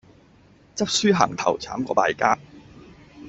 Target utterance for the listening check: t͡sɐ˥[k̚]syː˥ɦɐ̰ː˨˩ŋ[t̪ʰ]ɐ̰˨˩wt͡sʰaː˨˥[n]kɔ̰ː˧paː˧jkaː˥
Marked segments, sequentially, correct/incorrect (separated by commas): incorrect, correct, incorrect